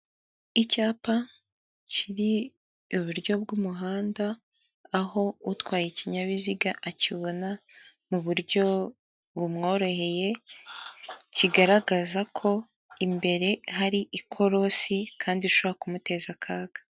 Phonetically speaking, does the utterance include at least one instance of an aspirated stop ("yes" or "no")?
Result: yes